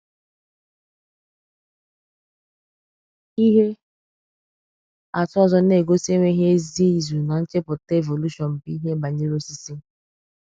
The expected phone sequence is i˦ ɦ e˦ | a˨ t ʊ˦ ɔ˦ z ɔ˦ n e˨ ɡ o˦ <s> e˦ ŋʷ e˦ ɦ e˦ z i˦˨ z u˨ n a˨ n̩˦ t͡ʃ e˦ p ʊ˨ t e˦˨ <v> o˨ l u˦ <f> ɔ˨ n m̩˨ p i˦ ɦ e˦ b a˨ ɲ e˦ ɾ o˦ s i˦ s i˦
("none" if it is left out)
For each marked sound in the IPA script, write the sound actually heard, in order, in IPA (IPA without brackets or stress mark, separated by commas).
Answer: s, v, ʃ